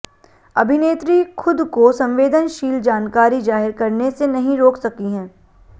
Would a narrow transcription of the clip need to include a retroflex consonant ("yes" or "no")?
no